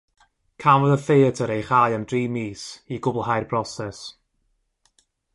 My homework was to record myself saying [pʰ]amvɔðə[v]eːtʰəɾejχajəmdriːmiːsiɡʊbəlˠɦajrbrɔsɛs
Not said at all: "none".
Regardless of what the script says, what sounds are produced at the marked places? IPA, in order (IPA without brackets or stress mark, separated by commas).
kʰ, f